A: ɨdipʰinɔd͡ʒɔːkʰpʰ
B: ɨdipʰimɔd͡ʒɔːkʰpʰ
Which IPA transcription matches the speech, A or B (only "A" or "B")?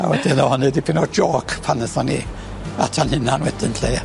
A